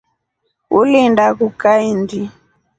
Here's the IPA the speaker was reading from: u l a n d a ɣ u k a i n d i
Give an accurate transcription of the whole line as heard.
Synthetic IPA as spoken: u l i n d a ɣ u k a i n d i